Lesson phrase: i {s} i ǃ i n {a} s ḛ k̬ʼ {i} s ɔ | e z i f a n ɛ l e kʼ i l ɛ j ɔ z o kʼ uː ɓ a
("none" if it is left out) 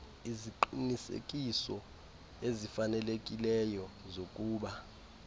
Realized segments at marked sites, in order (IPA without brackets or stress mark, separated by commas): z, i, i